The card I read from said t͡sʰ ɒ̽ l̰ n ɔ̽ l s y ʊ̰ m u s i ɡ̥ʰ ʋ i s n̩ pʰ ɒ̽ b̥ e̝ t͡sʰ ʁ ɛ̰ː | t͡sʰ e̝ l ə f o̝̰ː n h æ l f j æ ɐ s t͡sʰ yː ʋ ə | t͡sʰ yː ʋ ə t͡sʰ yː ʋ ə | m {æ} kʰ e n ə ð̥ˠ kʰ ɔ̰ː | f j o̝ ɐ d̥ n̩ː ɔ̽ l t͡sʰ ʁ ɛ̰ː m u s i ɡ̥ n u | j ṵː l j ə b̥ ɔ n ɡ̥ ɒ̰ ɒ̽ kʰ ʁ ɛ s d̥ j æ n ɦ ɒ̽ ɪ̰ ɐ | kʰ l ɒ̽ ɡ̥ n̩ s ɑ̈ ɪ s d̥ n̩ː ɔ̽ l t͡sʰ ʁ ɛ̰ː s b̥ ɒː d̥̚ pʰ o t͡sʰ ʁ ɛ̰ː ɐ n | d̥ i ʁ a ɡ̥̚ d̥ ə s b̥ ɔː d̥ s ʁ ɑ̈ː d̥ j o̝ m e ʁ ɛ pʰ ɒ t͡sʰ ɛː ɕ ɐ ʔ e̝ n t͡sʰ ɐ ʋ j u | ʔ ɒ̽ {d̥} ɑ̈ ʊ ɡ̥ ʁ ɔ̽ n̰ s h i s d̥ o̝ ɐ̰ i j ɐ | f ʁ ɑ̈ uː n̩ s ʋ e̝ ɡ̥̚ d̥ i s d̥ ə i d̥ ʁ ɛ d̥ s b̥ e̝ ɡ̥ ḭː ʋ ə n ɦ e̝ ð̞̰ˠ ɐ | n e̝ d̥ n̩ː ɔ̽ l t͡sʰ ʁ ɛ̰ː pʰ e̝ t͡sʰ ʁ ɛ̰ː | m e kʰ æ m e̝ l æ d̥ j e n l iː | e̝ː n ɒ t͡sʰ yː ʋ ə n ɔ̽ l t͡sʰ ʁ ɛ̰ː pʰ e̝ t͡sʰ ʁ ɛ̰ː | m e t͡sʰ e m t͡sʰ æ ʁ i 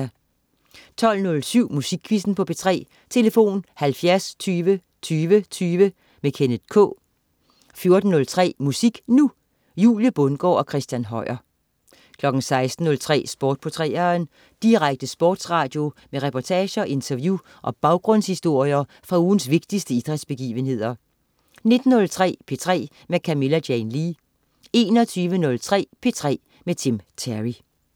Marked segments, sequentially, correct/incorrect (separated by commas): incorrect, incorrect